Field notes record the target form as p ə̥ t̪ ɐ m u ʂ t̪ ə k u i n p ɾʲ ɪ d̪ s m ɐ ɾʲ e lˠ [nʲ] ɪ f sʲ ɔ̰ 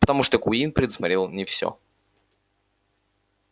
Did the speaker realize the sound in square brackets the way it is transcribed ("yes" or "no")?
yes